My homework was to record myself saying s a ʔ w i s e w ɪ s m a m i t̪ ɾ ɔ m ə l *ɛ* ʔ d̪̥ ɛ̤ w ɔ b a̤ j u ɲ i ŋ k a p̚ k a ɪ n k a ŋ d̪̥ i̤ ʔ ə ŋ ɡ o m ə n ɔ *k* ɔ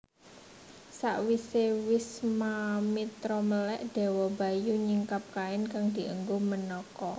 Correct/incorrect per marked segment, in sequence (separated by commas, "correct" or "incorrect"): correct, correct